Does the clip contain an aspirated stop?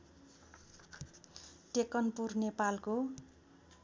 no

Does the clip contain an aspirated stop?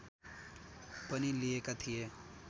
yes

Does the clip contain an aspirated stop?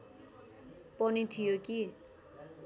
yes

